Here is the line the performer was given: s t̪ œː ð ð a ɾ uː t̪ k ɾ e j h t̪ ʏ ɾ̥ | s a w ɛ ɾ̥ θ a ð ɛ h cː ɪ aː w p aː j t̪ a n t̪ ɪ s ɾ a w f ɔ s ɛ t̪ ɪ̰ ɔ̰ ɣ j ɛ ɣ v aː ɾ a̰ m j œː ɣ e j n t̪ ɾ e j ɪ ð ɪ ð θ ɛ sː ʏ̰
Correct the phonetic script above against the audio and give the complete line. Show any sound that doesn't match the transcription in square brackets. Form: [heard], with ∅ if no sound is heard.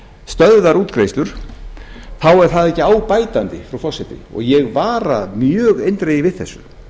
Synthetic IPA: s t̪ [œ] ð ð a ɾ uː t̪ k ɾ e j [s] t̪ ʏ ɾ̥ | [θ] a w ɛ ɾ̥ θ a ð ɛ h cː ɪ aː w p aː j t̪ a n t̪ ɪ [f] ɾ a w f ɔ s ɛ t̪ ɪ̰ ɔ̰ ɣ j ɛ ɣ v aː ɾ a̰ m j œː ɣ e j n t̪ ɾ e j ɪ [v] ɪ ð θ ɛ sː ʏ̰